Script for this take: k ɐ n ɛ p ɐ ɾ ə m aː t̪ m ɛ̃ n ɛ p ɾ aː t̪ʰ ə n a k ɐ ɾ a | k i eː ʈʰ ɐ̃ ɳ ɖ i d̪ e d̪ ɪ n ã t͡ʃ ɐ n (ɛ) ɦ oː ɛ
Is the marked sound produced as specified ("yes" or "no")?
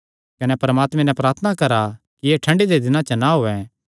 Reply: no